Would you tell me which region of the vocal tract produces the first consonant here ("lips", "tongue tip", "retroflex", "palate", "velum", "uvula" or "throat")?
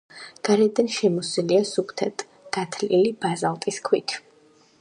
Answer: velum